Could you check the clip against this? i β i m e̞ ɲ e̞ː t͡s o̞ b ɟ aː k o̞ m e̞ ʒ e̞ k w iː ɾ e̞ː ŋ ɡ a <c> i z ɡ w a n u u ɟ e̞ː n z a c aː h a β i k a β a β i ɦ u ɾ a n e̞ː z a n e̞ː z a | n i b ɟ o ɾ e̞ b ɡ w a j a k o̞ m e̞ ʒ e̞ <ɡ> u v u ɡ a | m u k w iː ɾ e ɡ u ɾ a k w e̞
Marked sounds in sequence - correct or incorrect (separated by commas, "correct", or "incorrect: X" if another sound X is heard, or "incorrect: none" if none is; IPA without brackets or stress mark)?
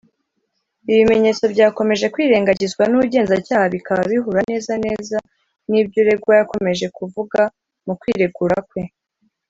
incorrect: ɟ, incorrect: k